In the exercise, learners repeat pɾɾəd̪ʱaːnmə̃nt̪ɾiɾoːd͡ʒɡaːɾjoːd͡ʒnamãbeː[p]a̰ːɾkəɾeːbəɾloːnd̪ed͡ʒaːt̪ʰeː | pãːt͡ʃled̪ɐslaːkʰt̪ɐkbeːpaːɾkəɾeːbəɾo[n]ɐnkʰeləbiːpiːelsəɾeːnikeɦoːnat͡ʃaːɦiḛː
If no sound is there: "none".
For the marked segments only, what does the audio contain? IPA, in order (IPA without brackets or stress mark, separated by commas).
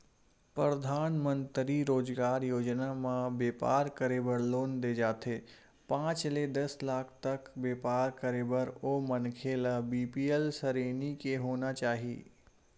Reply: p, m